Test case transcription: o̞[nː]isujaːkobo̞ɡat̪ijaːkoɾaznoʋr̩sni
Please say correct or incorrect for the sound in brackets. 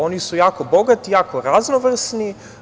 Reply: incorrect